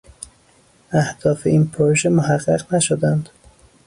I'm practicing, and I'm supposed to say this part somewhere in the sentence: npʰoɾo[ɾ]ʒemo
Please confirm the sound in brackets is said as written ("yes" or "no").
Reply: no